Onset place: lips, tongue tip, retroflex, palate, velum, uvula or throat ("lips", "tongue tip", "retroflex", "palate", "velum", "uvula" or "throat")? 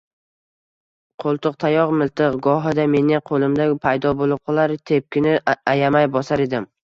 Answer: uvula